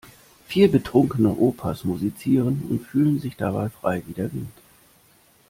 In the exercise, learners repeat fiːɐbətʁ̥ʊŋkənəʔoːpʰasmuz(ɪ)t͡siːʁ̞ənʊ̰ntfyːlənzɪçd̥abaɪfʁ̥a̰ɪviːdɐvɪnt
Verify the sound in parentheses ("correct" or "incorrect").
incorrect